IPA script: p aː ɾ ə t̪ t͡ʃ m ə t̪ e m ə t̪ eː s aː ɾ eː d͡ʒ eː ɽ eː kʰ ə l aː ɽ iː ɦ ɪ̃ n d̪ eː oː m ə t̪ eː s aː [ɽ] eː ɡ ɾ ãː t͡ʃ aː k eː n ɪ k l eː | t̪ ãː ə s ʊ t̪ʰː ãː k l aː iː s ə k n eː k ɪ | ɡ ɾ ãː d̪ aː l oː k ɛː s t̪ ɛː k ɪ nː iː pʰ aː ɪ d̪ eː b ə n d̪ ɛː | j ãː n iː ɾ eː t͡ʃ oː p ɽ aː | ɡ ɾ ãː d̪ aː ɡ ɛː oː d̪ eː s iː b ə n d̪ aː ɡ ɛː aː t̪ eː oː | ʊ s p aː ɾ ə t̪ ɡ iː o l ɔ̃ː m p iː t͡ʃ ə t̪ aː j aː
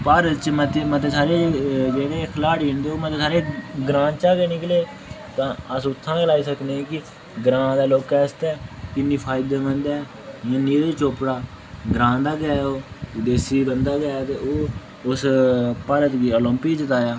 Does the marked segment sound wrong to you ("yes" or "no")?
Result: yes